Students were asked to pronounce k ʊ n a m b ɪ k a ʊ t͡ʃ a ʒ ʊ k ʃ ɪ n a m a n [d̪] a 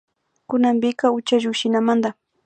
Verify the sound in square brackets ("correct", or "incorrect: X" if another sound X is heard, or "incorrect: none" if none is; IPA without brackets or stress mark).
correct